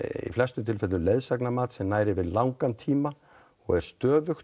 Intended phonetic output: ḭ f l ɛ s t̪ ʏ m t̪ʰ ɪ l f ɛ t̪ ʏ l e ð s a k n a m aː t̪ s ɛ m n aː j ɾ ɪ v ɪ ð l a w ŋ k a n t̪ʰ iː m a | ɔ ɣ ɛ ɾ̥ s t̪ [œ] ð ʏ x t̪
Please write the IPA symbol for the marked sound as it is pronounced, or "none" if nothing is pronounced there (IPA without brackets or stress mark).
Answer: œː